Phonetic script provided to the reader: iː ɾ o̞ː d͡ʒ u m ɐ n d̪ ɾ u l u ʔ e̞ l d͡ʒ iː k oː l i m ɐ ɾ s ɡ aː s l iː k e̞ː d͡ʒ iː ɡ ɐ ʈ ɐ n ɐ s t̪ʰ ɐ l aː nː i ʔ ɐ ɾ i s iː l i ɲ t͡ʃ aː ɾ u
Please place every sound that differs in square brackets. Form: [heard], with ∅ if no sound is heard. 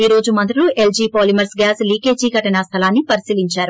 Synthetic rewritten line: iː ɾ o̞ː d͡ʒ u m ɐ n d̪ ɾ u l u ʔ e̞ l d͡ʒ iː [p] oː l i m ɐ ɾ s ɡ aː s l iː k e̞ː d͡ʒ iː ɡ ɐ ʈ ɐ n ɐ s t̪ʰ ɐ l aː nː i [p] ɐ ɾ i s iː l i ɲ t͡ʃ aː ɾ u

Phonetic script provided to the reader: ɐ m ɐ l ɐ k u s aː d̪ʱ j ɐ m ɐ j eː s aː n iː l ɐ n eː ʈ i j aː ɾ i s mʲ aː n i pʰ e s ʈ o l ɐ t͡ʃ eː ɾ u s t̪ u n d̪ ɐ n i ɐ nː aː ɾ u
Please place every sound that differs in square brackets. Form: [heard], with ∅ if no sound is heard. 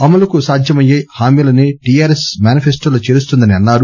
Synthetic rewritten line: ɐ m ɐ l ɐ k u s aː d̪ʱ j ɐ m ɐ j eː [h] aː [m] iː l ɐ n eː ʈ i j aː ɾ [e] s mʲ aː n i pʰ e s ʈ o l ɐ t͡ʃ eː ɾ u s t̪ u n d̪ ɐ n i ɐ nː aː ɾ u

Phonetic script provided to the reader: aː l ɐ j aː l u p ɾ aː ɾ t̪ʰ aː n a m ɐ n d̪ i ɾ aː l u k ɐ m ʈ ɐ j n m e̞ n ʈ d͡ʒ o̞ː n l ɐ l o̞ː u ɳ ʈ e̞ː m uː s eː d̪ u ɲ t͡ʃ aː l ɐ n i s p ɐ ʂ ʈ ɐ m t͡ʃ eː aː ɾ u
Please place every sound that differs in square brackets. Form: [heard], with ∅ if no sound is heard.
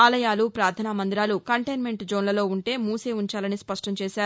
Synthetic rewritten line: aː l ɐ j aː l u p ɾ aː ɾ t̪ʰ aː n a m ɐ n d̪ i ɾ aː l u k ɐ [ɳ] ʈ ɐ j n m e̞ [ɳ] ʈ d͡ʒ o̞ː n l ɐ l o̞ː u ɳ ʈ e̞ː m uː s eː [∅] u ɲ t͡ʃ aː l ɐ n i s p ɐ ʂ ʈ ɐ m t͡ʃ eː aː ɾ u

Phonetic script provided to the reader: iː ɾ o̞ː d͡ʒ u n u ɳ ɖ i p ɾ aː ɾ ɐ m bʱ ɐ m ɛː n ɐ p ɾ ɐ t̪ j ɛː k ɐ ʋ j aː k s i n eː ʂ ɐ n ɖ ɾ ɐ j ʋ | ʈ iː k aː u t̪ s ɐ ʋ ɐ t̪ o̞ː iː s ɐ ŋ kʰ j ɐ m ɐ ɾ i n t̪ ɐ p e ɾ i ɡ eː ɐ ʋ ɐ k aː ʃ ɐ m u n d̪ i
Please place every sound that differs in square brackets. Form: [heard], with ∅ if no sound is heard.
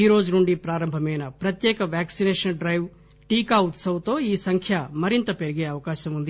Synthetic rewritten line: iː ɾ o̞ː d͡ʒ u n u ɳ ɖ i p ɾ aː ɾ ɐ m bʱ ɐ m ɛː n ɐ p ɾ ɐ t̪ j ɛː k ɐ ʋ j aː k s i n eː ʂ ɐ n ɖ ɾ ɐ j ʋ | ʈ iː k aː u t̪ s ɐ ʋ ɐ t̪ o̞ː iː s ɐ ŋ kʰ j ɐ m ɐ ɾ i n t̪ ɐ p e ɾ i ɡ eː ɐ ʋ ɐ k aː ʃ ɐ m u n d̪ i

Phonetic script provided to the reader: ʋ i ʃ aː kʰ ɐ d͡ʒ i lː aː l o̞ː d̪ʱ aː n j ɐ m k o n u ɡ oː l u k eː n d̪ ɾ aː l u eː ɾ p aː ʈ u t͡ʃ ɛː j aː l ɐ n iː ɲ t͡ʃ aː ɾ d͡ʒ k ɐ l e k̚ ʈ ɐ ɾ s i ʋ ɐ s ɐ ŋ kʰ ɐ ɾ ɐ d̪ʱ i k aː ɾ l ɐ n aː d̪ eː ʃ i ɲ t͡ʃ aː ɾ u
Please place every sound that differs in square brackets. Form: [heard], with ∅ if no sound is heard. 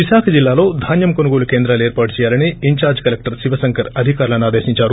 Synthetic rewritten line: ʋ i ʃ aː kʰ ɐ d͡ʒ i lː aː l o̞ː d̪ʱ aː n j ɐ m k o n u ɡ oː l u k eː n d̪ ɾ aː l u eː ɾ p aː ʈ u t͡ʃ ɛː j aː l ɐ n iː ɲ t͡ʃ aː ɾ d͡ʒ k ɐ l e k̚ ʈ ɐ ɾ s i ʋ ɐ s ɐ ŋ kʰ ɐ ɾ ɐ d̪ʱ i k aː ɾ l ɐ n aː d̪ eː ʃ i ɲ t͡ʃ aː ɾ u

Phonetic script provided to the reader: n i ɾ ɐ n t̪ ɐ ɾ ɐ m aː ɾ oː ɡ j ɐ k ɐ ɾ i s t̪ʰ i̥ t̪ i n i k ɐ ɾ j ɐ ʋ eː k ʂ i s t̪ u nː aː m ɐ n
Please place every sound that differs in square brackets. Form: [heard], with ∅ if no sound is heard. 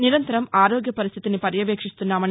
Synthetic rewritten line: n i ɾ ɐ n t̪ ɐ ɾ ɐ m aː ɾ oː ɡ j ɐ [p] ɐ ɾ i s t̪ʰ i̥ t̪ i n i [p] ɐ ɾ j ɐ ʋ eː k ʂ i s t̪ u nː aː m ɐ n

